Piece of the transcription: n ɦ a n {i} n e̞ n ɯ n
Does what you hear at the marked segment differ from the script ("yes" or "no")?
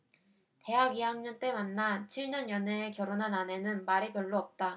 yes